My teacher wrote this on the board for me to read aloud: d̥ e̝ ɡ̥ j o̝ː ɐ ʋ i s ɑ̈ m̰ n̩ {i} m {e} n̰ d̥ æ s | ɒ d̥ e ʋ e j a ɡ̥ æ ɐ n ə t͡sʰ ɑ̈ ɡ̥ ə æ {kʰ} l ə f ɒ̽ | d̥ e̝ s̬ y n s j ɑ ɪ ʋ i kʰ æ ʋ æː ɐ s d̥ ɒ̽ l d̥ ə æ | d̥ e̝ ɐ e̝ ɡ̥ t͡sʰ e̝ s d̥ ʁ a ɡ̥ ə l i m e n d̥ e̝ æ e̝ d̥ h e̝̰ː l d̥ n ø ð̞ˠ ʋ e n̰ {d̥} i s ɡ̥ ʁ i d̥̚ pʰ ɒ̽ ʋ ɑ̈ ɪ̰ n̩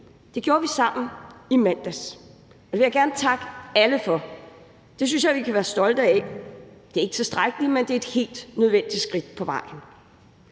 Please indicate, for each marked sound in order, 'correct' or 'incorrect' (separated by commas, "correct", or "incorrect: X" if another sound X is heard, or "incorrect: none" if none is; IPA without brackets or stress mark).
correct, incorrect: æ, incorrect: none, correct